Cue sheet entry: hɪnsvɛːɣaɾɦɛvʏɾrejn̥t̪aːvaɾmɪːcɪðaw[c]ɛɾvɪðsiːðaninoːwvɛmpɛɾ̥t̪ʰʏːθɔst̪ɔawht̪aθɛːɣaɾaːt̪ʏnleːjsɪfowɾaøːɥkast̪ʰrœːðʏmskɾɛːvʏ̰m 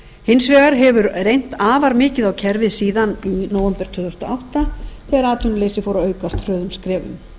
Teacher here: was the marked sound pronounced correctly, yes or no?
no